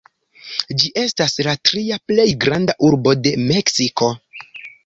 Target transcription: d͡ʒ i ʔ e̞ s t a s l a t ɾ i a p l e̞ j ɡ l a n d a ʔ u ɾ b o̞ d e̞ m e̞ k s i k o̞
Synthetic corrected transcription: d͡ʒ i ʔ e̞ s t a s l a t ɾ i a p l e̞ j ɡ ɾ a n d a ʔ u ɾ b o̞ d e̞ m e̞ k s i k o̞

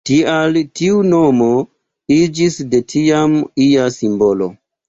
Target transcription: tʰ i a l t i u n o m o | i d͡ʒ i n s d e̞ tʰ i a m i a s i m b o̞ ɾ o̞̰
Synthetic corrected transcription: t i a l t i u n o m o | i d͡ʒ i s d e̞ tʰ i a m i a s i m b o̞ l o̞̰

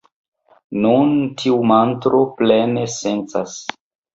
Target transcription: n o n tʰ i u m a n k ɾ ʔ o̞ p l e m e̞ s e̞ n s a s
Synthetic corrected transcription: n u n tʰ i u m a n t ɾ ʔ o̞ p l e n e̞ s e̞ n t͡s a s

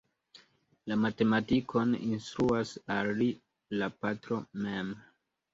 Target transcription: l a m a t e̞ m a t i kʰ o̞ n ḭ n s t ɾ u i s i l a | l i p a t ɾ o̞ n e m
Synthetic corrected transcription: l a m a t e̞ m a t i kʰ o̞ n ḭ n s t ɾ u a s a l i | l a p a t ɾ o̞ m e m

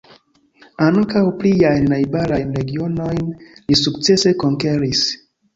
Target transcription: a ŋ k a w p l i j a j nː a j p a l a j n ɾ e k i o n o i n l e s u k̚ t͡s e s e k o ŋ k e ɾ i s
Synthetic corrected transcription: a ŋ k a w p l i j a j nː a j b a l a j n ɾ e ɡ i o n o j n l i s u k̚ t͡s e s e k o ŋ k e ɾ i s

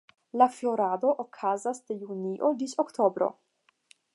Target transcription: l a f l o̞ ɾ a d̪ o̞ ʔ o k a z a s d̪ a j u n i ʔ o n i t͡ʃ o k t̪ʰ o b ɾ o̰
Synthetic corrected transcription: l a f l o̞ ɾ a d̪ o̞ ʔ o kʰ a z a s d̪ e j u n i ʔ o d i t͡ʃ o k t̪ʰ o b ɾ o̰

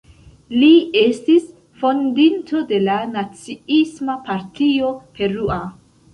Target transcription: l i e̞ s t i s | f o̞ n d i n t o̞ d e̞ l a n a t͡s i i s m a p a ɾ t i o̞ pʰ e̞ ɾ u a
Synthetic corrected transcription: l i e̞ s t i s | f o̞ n d i n t o̞ d e̞ l a n a t͡s i i s m a p a ɾ t i o̞ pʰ e̞ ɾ u a

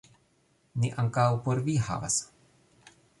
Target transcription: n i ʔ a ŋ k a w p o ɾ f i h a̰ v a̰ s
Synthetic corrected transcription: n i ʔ a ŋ k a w p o ɾ v i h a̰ v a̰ s

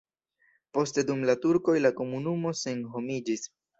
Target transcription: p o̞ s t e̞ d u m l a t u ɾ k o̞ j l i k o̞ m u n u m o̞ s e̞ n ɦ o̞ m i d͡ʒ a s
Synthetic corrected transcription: p o̞ s t e̞ d u m l a t u ɾ k o̞ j l a k o̞ m u n u m o̞ s e̞ n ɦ o̞ m i d͡ʒ i s

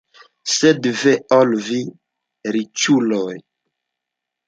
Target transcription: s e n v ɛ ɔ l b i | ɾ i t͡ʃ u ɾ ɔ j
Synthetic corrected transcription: s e d v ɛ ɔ l v i | ɾ i t͡ʃ u l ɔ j

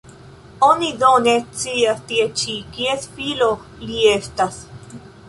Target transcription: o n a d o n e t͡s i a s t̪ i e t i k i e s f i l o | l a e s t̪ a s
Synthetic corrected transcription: o n i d o n e t͡s i a s t̪ i e t͡ʃ i k i e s f i l o | l i e s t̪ a s

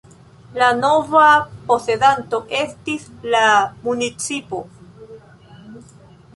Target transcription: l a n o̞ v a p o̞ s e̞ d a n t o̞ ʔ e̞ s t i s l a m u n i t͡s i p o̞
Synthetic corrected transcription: l a n o̞ v a p o̞ s e̞ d a n t o̞ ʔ e̞ s t i s l a m u n i t͡s i p o̞

